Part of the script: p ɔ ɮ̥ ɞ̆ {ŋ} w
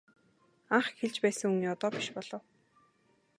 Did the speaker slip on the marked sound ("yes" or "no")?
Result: yes